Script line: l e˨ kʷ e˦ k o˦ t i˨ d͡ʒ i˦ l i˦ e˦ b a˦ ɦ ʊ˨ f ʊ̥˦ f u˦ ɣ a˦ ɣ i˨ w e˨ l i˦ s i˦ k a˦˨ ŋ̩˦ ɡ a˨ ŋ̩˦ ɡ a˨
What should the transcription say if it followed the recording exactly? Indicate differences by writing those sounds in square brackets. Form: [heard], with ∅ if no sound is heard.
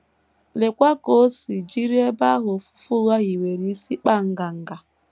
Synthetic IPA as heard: l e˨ kʷ [a˦] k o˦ [s] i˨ d͡ʒ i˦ [ɾ] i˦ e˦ b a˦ ɦ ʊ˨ f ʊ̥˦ f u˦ ɣ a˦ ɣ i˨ w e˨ [ɾ] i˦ s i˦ [k͡p] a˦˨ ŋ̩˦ ɡ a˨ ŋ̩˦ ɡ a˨